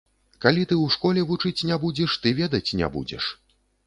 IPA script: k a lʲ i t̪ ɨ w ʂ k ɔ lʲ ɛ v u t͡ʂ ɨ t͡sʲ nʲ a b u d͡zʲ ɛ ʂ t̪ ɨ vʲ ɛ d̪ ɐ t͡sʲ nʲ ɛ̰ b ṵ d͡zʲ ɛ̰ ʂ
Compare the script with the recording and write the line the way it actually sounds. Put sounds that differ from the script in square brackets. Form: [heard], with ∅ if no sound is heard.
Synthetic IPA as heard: k a lʲ i t̪ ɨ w ʂ k ɔ lʲ ɛ v u t͡ʂ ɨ t͡sʲ nʲ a b u d͡zʲ ɛ ʂ t̪ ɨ vʲ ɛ d̪ ɐ t͡sʲ nʲ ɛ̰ b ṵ d͡zʲ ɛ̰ ʂ